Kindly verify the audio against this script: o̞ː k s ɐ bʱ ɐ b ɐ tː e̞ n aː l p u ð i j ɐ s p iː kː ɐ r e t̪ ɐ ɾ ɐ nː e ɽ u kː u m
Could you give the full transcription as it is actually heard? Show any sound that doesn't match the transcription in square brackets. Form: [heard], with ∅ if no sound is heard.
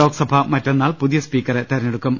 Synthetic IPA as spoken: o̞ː k s ɐ bʱ ɐ [m] ɐ tː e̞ [nː] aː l p u ð i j ɐ s p iː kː ɐ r e t̪ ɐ ɾ ɐ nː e ɽ u kː u m

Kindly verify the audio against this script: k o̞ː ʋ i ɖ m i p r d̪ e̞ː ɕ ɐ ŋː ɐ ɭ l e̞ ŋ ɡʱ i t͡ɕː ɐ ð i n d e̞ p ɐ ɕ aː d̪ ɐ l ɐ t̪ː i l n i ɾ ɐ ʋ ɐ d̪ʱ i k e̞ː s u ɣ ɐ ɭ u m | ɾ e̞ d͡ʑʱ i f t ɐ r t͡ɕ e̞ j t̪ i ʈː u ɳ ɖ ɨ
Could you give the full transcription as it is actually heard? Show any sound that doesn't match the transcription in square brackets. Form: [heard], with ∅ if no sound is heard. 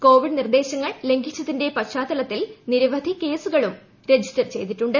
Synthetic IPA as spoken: k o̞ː ʋ i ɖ [n] i [∅] r d̪ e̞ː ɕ ɐ ŋː ɐ ɭ l e̞ ŋ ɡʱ i t͡ɕː ɐ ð i n d e̞ p ɐ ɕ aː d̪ ɐ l ɐ t̪ː i l n i ɾ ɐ ʋ ɐ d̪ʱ i k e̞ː s u ɣ ɐ ɭ u m | ɾ e̞ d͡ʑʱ i [s] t ɐ r t͡ɕ e̞ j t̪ i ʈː u ɳ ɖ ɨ

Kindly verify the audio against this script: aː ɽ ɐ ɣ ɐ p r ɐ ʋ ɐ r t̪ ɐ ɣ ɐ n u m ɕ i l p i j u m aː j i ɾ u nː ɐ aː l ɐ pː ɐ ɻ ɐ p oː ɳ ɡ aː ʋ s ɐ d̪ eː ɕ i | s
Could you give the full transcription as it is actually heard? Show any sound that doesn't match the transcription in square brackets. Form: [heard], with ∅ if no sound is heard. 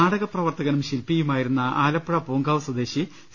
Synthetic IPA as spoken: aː ɽ ɐ ɣ ɐ p r ɐ ʋ ɐ r t̪ ɐ ɣ ɐ n u m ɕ i l p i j u m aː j i ɾ u nː ɐ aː l ɐ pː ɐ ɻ ɐ p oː [ŋ] ɡ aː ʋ s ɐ d̪ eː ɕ i | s

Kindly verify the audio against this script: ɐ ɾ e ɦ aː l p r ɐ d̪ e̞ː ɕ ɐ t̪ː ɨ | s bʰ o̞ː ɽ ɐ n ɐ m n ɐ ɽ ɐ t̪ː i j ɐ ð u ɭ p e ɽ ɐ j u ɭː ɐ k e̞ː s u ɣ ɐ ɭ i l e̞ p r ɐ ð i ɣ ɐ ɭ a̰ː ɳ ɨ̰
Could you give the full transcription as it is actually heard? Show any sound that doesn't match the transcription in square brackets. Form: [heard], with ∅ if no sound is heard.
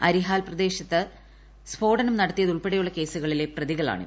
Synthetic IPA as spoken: ɐ ɾ [i] ɦ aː l p r ɐ d̪ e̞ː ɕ ɐ t̪ː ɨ | s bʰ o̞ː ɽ ɐ n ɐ m n ɐ ɽ ɐ t̪ː i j ɐ ð u ɭ p e ɽ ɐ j u ɭː ɐ k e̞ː s u ɣ ɐ ɭ i l e̞ p r ɐ ð i ɣ ɐ ɭ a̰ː ɳ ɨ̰

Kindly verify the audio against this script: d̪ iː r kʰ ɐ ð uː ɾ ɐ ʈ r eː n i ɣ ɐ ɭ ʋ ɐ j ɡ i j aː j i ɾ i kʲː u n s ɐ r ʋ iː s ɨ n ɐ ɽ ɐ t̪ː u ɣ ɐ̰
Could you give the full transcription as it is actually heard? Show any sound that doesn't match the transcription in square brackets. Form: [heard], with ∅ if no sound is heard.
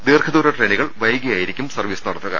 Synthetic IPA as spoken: d̪ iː r kʰ ɐ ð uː ɾ ɐ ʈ r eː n i ɣ ɐ ɭ ʋ ɐ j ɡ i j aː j i ɾ i kʲː u [m] s ɐ r ʋ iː s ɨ n ɐ ɽ ɐ t̪ː u ɣ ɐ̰

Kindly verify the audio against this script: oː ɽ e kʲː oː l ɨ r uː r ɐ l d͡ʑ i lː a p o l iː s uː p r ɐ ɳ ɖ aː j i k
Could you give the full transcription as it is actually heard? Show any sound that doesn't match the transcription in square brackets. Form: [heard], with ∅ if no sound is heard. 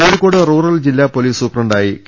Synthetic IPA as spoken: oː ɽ [i] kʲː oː [ɽ] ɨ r uː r ɐ l d͡ʑ i lː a p o l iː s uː p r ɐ ɳ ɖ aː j i k

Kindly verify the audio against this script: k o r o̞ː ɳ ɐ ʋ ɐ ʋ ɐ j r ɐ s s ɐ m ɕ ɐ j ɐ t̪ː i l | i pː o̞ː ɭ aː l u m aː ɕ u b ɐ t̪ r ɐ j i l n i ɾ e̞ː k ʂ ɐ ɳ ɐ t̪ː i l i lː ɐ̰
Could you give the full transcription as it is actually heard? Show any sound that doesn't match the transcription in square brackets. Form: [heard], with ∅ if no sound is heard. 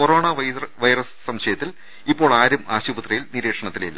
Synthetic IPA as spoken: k o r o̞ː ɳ ɐ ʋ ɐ ʋ ɐ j r ɐ s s ɐ m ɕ ɐ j ɐ t̪ː i l | i pː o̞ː ɭ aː [ɾ] u m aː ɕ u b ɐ t̪ r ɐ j i l n i ɾ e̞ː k ʂ ɐ ɳ ɐ t̪ː i l i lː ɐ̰

